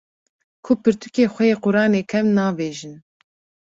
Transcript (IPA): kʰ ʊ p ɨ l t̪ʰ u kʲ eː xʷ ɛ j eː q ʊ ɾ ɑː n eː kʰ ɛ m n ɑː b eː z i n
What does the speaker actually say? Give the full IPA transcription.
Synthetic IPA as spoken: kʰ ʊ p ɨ ɾ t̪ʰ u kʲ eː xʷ ɛ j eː q ʊ ɾ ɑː n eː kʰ ɛ m n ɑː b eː ʒ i n